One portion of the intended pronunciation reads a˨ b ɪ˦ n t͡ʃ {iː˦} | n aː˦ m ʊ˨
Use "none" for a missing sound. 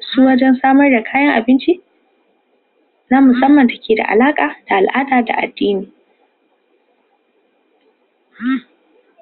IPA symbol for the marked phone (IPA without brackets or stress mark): i˦